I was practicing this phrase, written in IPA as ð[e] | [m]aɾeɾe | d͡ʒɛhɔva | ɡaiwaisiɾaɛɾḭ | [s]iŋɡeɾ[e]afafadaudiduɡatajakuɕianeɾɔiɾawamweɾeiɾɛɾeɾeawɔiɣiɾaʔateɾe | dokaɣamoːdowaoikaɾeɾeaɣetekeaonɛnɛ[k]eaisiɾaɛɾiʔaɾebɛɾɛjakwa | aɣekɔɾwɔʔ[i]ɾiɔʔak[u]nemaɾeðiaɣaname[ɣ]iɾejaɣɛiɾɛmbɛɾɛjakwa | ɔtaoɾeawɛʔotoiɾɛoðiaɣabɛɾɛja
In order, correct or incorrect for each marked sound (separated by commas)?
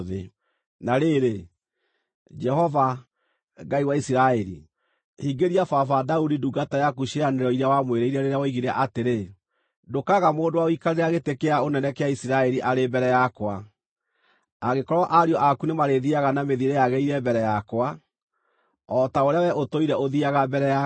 correct, incorrect, incorrect, incorrect, correct, incorrect, correct, incorrect